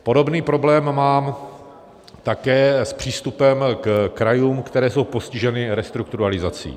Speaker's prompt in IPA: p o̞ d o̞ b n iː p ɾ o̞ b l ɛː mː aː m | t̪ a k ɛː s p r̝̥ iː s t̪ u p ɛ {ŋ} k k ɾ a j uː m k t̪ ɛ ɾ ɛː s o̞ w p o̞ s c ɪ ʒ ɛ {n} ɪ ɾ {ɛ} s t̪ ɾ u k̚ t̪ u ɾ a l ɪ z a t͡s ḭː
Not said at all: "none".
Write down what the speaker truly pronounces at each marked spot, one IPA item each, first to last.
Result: m, n, ɛ

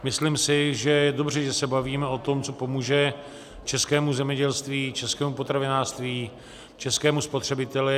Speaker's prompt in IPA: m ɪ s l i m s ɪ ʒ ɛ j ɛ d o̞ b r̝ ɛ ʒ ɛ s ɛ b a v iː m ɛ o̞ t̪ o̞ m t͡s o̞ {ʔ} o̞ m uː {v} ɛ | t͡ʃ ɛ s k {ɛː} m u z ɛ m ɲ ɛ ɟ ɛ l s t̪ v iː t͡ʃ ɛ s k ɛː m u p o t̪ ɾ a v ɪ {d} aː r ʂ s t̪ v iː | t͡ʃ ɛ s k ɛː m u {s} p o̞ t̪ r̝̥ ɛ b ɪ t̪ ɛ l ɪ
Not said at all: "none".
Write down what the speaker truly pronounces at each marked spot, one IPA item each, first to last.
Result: p, ʒ, ɛː, n, s

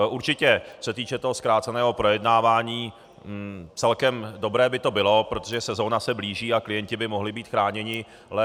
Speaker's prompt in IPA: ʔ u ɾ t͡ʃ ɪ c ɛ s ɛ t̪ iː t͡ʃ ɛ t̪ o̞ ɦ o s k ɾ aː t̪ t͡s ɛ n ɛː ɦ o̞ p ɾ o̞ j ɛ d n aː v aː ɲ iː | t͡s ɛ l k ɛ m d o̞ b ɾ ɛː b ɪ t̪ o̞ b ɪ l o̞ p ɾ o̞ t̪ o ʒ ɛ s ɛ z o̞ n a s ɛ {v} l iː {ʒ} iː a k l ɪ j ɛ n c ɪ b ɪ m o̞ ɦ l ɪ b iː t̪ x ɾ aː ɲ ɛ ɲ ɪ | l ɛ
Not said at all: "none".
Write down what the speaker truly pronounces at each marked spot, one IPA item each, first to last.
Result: b, ʒ

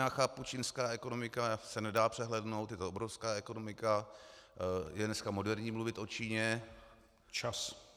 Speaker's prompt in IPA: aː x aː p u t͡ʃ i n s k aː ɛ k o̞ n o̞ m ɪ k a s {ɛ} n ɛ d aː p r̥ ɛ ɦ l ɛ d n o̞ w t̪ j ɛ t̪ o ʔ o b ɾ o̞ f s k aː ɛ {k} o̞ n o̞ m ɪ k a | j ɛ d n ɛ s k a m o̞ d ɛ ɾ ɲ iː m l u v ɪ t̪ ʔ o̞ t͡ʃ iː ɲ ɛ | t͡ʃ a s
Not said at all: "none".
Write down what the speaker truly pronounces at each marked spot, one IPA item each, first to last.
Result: ɛ, k

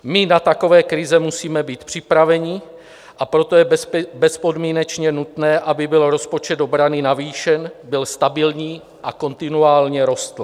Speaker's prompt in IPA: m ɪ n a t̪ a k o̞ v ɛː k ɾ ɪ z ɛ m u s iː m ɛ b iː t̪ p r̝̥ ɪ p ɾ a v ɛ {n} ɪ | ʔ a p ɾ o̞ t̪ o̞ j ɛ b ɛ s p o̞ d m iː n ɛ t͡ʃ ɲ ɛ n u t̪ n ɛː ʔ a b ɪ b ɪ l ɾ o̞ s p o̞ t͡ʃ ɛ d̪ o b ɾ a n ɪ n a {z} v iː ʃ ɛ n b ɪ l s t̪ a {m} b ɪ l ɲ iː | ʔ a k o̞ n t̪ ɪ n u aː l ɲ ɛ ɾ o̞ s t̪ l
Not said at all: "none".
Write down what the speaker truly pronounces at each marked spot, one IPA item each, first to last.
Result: ɲ, none, none

